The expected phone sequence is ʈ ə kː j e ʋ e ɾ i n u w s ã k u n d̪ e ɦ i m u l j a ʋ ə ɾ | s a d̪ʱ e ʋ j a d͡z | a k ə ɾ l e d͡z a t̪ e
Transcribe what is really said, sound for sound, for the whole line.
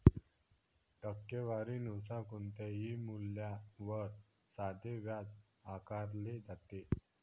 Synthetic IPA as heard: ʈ ə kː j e ʋ a ɾ i n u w s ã k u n t̪ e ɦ i m u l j a ʋ ə ɾ | s a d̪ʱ e ʋ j a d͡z | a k a ɾ l e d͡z a t̪ e